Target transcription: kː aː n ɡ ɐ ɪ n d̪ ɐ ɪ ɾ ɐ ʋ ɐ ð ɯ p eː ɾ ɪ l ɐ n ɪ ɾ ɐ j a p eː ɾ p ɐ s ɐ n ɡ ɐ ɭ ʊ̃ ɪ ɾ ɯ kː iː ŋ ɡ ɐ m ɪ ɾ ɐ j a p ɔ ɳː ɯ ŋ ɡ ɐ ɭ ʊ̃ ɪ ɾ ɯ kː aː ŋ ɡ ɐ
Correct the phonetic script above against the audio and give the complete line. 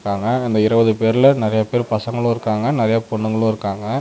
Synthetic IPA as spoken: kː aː ŋ ɡ ɐ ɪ n d̪ ɐ ɪ ɾ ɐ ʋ ɐ ð ɯ p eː ɾ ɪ l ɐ n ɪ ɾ ɐ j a p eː ɾ p ɐ s ɐ ŋ ɡ ɐ ɭ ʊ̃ ɪ ɾ ɯ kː aː ŋ ɡ ɐ n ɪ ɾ ɐ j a p ɔ ɳː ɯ ŋ ɡ ɐ ɭ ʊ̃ ɪ ɾ ɯ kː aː ŋ ɡ ɐ